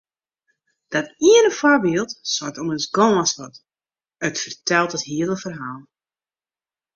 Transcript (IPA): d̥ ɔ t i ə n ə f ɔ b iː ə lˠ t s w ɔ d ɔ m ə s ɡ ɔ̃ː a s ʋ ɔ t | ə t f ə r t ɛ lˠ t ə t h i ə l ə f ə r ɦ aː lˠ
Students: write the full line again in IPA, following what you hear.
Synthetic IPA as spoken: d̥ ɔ t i ə n ə f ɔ b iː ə lˠ t s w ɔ t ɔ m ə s ɡ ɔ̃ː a s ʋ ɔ t | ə t f ə r t ɛ lˠ t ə t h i ə l ə f ə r ɦ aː lˠ